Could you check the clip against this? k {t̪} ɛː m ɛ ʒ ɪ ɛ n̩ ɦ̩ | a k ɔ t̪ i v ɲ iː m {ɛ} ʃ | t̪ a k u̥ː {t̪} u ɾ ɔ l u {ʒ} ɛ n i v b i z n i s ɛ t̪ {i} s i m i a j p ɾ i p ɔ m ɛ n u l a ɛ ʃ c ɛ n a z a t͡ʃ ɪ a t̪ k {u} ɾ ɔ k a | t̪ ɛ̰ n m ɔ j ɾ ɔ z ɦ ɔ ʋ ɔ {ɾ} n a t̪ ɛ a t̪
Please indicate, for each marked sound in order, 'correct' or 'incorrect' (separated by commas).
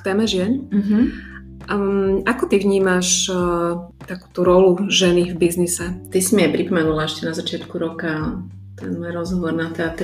correct, incorrect, correct, correct, correct, correct, correct